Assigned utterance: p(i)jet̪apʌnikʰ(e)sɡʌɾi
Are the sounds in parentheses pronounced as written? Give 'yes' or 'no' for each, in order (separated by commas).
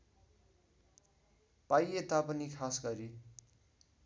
no, no